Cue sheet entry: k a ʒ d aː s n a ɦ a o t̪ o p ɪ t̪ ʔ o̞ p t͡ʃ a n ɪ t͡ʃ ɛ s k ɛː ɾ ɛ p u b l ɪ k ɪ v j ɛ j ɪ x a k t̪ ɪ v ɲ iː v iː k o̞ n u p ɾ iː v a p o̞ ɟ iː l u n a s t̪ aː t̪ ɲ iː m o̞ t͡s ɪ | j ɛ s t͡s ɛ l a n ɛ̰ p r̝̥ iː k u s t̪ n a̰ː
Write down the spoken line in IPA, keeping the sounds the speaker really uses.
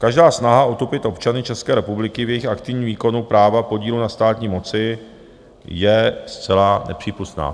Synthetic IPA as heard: k a ʒ d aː s n a ɦ a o t̪ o p ɪ t̪ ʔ o̞ p t͡ʃ a n ɪ t͡ʃ ɛ s k ɛː ɾ ɛ p u b l ɪ k ɪ v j ɛ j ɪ x a k t̪ ɪ v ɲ iː v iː k o̞ n u p ɾ aː v a p o̞ ɟ iː l u n a s t̪ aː t̪ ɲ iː m o̞ t͡s ɪ | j ɛ s t͡s ɛ l a n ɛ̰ p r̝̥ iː p u s t̪ n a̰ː